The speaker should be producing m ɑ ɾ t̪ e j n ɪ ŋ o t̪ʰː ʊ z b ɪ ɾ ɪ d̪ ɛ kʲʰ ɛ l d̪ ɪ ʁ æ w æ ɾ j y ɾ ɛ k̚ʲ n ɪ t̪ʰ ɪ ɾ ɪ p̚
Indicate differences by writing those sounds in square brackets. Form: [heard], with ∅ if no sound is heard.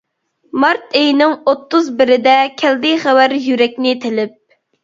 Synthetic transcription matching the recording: m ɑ ɾ t̪ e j n ɪ ŋ o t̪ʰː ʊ z b ɪ ɾ ɪ d̪ ɛ kʲʰ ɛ l d̪ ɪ [χ] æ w æ ɾ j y ɾ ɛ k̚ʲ n ɪ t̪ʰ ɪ [l] ɪ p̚